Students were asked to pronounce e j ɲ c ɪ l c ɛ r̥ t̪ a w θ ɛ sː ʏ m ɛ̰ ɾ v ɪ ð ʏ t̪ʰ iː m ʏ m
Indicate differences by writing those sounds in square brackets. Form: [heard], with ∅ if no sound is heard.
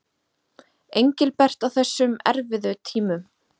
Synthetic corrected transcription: e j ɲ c ɪ l [p] ɛ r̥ t̪ a w θ ɛ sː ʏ m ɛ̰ ɾ v ɪ ð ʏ t̪ʰ iː m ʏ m